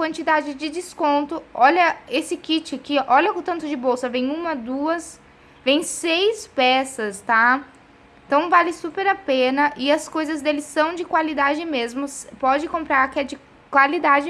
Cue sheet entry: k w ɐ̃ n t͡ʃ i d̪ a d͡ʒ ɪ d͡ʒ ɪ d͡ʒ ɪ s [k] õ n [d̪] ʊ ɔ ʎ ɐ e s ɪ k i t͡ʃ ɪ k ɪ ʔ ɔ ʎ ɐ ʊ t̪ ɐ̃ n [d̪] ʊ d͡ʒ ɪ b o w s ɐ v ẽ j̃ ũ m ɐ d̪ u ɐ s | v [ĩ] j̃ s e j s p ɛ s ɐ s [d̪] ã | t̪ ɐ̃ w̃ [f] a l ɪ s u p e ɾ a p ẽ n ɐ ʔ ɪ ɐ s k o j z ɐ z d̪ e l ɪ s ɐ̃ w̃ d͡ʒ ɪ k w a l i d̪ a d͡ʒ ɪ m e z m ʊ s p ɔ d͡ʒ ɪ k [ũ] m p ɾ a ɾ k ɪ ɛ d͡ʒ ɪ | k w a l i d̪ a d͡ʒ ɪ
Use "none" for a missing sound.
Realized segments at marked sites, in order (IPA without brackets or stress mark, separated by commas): k, t̪, t̪, ẽ, t̪, v, õ